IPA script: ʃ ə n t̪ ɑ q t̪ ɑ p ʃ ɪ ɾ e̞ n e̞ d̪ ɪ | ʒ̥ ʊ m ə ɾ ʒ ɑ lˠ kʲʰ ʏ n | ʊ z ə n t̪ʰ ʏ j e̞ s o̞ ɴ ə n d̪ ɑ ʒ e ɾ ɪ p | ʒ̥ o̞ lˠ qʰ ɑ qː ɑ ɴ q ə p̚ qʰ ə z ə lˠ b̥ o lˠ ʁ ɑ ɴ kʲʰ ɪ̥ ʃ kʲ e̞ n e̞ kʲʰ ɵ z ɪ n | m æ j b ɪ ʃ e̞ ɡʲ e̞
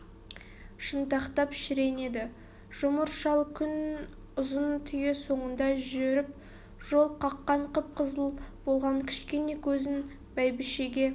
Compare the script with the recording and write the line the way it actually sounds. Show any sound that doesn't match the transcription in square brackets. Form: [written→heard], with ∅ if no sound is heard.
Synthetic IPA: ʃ ə n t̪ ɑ q t̪ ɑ p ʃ ɪ ɾ e̞ n e̞ d̪ ɪ | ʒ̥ ʊ m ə ɾ [ʒ→ʃ] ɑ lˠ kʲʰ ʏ n | ʊ z ə n t̪ʰ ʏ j e̞ s o̞ ɴ ə n d̪ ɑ ʒ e ɾ ɪ p | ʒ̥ o̞ lˠ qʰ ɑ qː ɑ ɴ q ə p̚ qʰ ə z ə lˠ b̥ o lˠ ʁ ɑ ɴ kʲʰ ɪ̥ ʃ kʲ e̞ n e̞ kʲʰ ɵ z ɪ n | [m→b] æ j b ɪ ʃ e̞ ɡʲ e̞